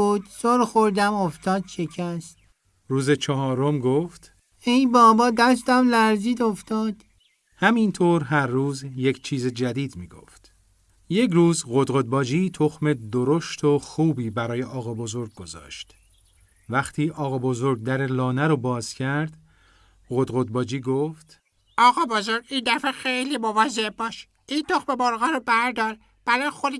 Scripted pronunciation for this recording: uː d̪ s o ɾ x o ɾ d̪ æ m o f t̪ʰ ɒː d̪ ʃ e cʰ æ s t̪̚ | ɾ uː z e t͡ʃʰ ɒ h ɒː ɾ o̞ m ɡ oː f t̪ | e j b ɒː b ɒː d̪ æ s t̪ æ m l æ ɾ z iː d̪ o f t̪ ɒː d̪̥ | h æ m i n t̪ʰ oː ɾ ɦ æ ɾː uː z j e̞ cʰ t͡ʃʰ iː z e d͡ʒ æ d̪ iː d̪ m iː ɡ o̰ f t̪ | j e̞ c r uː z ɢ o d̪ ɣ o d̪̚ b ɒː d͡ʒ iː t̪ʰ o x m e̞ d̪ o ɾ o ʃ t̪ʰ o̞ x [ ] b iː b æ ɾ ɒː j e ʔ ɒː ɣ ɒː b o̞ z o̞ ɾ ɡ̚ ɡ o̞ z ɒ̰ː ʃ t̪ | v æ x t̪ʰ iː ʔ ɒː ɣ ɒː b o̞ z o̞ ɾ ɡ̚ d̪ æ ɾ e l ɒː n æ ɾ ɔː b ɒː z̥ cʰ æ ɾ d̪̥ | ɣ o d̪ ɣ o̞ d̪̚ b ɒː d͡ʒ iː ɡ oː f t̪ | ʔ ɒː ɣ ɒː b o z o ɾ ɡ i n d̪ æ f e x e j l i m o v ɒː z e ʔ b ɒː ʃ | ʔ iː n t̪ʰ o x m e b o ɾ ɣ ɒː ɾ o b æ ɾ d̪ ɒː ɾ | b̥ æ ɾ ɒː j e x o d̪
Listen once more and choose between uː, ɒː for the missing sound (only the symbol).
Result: uː